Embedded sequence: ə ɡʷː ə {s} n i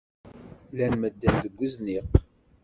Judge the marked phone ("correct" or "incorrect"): incorrect